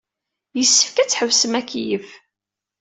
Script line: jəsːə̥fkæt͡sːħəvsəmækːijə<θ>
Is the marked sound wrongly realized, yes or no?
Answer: yes